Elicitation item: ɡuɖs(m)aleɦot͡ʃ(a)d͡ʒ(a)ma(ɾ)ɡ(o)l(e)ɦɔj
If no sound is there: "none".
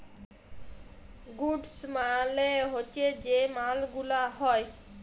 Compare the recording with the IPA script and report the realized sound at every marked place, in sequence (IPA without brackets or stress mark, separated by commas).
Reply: m, e, e, l, u, a